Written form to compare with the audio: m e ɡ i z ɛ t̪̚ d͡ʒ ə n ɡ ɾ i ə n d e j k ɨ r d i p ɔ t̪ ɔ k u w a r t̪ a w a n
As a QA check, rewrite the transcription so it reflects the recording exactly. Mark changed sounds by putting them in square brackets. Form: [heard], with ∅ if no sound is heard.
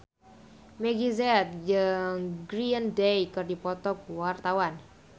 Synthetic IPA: m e ɡ i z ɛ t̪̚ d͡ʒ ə [ŋ] ɡ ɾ i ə n d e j k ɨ r d i p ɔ t̪ ɔ k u w a r t̪ a w a n